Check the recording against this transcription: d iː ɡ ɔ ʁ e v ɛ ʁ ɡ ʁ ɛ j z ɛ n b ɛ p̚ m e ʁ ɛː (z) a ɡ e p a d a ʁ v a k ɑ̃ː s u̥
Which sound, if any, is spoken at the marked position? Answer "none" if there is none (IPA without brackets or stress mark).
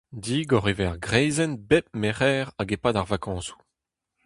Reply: ʁ